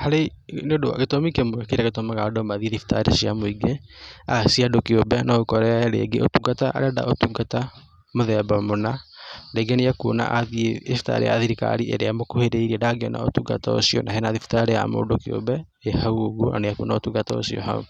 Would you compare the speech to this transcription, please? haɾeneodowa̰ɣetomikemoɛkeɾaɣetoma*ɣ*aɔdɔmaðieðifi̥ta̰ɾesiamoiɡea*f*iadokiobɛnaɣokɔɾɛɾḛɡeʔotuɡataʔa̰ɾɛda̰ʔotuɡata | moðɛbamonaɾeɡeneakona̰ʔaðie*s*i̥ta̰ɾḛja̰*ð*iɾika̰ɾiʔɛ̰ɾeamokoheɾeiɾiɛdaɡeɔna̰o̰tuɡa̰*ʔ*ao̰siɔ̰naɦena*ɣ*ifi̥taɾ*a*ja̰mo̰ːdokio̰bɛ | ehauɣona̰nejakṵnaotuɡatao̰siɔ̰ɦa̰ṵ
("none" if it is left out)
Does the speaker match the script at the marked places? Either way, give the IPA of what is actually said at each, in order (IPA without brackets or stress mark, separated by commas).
ɣ, s, f, ð, t, ð, e